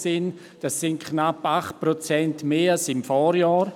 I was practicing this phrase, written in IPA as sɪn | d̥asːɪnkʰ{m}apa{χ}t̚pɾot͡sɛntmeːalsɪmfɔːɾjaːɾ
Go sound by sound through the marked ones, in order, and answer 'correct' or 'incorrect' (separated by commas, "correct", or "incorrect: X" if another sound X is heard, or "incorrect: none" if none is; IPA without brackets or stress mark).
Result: incorrect: n, correct